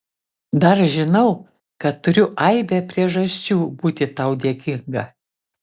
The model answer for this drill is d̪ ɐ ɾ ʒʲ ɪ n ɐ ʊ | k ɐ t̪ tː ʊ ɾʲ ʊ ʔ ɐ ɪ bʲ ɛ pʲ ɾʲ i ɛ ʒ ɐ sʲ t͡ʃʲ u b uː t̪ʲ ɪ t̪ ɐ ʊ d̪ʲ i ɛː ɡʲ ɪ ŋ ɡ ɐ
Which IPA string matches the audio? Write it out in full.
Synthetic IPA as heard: d̪ ɐ ɾ ʒʲ ɪ n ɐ ʊ | k ɐ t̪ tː ʊ ɾʲ ʊ ʔ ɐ ɪ bʲ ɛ pʲ ɾʲ i ɛ ʒ ɐ sʲ t͡ʃʲ uː b uː t̪ʲ ɪ t̪ ɐ ʊ d̪ʲ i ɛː kʲ ɪ ŋ ɡ ɐ

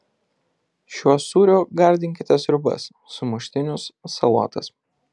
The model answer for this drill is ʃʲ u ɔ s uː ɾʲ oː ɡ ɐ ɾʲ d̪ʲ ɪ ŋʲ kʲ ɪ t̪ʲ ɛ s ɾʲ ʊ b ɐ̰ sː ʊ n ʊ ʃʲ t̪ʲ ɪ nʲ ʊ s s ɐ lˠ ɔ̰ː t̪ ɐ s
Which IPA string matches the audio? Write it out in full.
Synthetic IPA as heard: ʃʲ u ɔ s uː ɾʲ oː ɡ ɐ ɾʲ d̪ʲ ɪ ŋʲ kʲ ɪ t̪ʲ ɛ s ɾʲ ʊ b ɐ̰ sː ʊ m ʊ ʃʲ t̪ʲ ɪ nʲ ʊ s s ɐ lˠ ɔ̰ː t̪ ɐ s

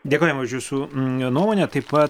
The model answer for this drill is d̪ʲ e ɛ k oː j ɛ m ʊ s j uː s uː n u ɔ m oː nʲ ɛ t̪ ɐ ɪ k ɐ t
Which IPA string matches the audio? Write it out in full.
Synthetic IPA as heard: d̪ʲ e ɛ k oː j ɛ m ʊ ʃ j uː s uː n u ɔ m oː nʲ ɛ t̪ ɐ ɪ p ɐ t

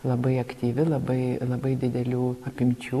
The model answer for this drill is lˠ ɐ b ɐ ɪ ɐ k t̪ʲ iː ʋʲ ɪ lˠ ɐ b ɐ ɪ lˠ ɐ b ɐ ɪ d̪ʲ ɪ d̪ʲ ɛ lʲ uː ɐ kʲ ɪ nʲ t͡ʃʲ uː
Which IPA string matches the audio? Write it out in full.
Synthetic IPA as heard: lˠ ɐ b ɐ ɪ ɐ k t̪ʲ iː ʋʲ ɪ lˠ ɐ b ɐ ɪ lˠ ɐ b ɐ ɪ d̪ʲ ɪ d̪ʲ ɛ lʲ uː ɐ pʲ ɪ mʲ t͡ʃʲ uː

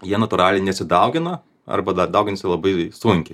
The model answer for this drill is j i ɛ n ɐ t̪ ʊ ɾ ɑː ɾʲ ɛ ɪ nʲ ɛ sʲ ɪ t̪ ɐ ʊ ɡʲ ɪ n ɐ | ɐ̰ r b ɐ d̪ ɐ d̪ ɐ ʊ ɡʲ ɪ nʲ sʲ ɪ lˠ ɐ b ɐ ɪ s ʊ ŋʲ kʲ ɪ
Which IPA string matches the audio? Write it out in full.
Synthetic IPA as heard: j i ɛ n ɐ t̪ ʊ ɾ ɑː lʲ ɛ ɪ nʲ ɛ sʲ ɪ d̪ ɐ ʊ ɡʲ ɪ n ɐ | ɐ̰ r b ɐ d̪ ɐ d̪ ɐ ʊ ɡʲ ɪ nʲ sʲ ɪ lˠ ɐ b ɐ ɪ s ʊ ŋʲ kʲ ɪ

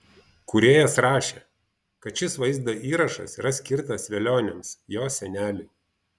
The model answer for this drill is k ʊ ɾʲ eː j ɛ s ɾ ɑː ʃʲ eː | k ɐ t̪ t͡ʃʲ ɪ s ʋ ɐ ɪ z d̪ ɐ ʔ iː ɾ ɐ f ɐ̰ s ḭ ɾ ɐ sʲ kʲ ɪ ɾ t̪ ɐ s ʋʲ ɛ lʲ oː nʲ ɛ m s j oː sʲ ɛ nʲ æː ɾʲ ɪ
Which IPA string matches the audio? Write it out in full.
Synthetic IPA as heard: k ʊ ɾʲ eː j ɛ s ɾ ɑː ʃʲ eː | k ɐ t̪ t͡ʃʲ ɪ s ʋ ɐ ɪ z d̪ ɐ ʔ iː ɾ ɐ ʃ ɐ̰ s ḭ ɾ ɐ sʲ kʲ ɪ ɾ t̪ ɐ s ʋʲ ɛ lʲ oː nʲ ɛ m s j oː sʲ ɛ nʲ æː lʲ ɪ

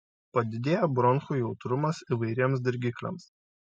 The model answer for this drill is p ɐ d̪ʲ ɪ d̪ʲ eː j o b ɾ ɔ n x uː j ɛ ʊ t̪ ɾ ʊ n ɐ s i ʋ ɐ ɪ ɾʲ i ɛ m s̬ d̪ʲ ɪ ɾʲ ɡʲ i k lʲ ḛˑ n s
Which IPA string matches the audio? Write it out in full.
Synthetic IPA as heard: p ɐ d̪ʲ ɪ d̪ʲ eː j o b ɾ ɔ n x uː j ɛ ʊ t̪ ɾ ʊ m ɐ s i ʋ ɐ ɪ ɾʲ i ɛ m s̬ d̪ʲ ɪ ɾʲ ɡʲ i k lʲ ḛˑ m s

